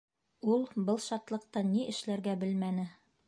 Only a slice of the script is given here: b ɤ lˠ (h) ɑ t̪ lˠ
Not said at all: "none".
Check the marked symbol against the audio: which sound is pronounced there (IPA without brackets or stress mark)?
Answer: ʃ